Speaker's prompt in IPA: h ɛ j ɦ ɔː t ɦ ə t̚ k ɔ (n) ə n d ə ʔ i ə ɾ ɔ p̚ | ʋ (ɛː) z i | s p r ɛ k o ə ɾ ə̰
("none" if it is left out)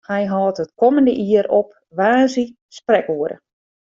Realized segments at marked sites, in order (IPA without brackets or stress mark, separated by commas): m, aː